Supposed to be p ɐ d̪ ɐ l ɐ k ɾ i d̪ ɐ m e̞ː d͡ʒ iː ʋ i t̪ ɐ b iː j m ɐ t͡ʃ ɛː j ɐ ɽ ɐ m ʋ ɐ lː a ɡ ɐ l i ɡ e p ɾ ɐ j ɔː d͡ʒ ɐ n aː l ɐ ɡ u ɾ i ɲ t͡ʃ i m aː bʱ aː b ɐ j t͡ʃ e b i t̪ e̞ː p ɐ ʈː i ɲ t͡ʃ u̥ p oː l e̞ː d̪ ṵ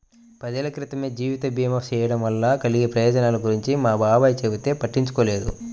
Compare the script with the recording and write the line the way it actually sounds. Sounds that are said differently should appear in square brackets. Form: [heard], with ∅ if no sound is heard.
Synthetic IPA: p ɐ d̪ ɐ l ɐ k ɾ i [t̪] ɐ m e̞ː d͡ʒ iː ʋ i t̪ ɐ b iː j m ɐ t͡ʃ ɛː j ɐ ɽ ɐ m ʋ ɐ lː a [k] ɐ l i ɡ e p ɾ ɐ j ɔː d͡ʒ ɐ n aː l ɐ ɡ u ɾ i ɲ t͡ʃ i m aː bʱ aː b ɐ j t͡ʃ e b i t̪ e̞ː p ɐ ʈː i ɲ t͡ʃ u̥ [k] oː l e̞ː d̪ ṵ